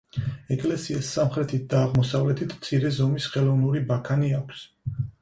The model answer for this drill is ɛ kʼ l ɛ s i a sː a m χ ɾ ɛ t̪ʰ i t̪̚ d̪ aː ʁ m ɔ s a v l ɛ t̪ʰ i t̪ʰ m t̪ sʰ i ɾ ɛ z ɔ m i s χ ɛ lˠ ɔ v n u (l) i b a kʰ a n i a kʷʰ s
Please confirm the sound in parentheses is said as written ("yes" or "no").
no